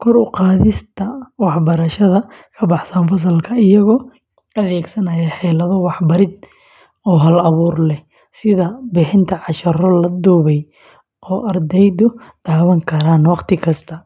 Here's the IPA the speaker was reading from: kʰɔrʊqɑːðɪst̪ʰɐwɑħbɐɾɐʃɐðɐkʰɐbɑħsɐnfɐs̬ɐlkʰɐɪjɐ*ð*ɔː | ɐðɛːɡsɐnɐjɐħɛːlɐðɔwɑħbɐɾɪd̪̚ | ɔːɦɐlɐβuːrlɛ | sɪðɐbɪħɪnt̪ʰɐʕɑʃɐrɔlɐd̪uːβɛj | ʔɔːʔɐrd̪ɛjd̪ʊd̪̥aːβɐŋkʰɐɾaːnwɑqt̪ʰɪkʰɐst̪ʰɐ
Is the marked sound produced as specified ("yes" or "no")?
no